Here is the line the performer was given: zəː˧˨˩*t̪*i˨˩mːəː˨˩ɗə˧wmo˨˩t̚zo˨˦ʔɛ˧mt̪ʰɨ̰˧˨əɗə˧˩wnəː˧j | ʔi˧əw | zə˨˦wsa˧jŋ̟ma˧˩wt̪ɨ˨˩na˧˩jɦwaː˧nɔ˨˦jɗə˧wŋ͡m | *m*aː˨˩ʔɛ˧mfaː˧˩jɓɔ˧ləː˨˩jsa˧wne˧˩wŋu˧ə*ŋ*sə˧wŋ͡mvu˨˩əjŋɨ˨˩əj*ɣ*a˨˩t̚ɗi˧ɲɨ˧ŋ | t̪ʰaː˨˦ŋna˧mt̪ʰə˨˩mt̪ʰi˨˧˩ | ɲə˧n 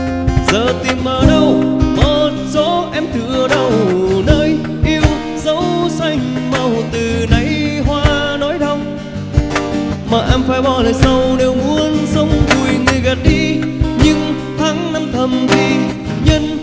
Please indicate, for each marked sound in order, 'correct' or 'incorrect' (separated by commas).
correct, correct, incorrect, correct